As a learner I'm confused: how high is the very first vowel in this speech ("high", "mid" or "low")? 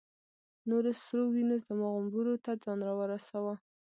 mid